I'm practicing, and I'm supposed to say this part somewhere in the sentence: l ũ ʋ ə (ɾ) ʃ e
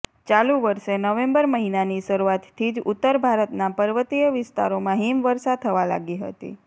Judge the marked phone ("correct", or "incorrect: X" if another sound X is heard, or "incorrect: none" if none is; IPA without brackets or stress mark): correct